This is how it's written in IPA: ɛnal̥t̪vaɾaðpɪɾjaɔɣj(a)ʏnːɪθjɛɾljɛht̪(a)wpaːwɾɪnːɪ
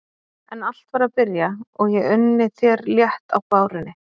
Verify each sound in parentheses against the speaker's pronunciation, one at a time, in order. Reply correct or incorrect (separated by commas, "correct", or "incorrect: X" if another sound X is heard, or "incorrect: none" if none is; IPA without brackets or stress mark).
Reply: incorrect: ɛ, correct